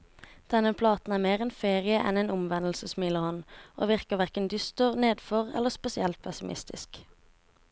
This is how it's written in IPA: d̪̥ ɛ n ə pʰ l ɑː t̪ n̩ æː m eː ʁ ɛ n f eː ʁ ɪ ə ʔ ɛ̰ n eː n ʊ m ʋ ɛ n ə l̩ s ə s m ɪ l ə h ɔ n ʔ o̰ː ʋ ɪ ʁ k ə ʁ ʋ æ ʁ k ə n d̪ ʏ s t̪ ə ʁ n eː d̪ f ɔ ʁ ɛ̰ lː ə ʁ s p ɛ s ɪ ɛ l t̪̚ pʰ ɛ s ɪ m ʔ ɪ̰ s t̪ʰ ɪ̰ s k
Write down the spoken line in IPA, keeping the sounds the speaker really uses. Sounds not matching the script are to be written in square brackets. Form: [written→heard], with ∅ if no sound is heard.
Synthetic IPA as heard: d̪̥ ɛ n ə pʰ l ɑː t̪ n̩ æː m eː ʁ ɛ n f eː ʁ ɪ ə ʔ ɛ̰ n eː n ʊ m ʋ ɛ n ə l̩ s ə s m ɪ l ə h ɔ n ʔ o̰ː ʋ ɪ ʁ k ə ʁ ʋ æ ʁ k ə n d̪ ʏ s t̪ ə ʁ n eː d̪ f ɔ ʁ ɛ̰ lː ə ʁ s p ɛ s ɪ ɛ l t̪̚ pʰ ɛ s ɪ m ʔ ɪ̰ s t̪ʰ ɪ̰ s k